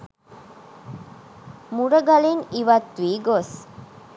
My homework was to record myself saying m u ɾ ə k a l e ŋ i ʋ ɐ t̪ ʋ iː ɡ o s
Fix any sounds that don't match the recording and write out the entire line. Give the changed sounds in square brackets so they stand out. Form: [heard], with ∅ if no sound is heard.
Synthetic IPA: m u ɾ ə [ɡ] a l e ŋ i ʋ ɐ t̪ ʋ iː ɡ o s